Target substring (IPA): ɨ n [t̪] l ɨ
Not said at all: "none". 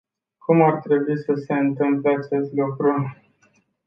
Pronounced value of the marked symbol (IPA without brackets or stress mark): t̪